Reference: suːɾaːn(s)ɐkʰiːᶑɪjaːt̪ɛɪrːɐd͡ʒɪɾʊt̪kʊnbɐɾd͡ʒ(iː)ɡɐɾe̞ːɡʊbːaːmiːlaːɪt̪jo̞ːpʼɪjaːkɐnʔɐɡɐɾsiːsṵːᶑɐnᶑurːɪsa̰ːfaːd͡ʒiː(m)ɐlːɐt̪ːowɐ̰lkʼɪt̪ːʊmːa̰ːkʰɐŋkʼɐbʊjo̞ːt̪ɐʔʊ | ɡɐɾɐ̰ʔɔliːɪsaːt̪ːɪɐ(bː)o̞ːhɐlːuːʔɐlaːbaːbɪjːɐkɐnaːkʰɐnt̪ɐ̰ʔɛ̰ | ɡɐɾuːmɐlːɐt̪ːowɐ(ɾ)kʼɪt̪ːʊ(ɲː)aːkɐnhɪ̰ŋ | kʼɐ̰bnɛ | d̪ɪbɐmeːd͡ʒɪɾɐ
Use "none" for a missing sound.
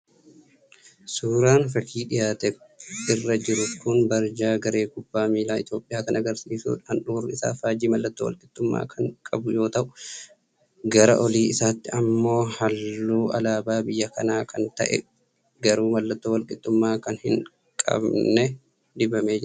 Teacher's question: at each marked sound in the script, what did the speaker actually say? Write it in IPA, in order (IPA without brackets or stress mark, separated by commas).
f, aː, m, mː, l, mː